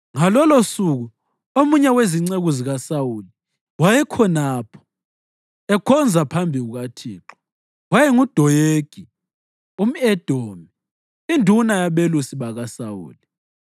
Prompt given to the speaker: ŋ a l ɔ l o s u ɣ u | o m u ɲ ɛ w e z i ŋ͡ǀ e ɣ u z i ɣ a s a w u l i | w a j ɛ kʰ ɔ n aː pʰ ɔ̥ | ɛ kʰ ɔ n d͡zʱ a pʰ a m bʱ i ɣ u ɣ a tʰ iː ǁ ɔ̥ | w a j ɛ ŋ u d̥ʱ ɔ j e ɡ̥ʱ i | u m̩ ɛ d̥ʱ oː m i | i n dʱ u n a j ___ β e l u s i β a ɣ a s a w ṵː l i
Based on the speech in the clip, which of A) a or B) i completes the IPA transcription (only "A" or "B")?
A